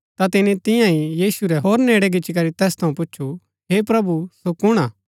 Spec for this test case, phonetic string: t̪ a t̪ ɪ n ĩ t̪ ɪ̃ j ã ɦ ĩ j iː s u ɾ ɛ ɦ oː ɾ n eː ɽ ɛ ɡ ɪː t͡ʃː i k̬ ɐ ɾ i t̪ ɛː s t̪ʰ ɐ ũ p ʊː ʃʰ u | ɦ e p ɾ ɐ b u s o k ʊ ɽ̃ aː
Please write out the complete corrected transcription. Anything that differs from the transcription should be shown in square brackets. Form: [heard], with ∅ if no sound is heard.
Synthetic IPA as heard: t̪ a t̪ ɪ n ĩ t̪ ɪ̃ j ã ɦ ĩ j iː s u ɾ ɛ ɦ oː ɾ n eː ɽ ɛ ɡ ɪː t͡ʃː i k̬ ɐ ɾ i t̪ ɛː s t̪ʰ ɐ ũ p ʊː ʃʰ u | ɦ e p ɾ ɐ b u s o k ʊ ɽ̃ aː